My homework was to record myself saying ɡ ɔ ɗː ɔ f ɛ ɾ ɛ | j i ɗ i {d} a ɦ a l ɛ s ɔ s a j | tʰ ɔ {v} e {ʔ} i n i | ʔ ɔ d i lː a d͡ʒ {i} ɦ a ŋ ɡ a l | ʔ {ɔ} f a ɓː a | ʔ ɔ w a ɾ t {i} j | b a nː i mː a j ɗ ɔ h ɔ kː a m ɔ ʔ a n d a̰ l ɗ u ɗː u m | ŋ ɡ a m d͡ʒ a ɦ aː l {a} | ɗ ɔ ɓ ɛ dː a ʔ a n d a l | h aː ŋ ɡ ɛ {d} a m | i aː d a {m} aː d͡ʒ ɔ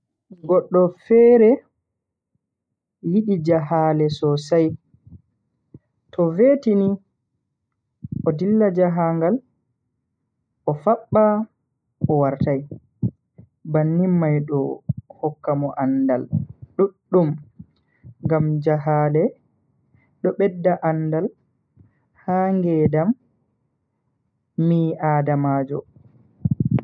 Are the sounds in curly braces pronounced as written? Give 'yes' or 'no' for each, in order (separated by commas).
no, yes, no, no, yes, no, no, yes, yes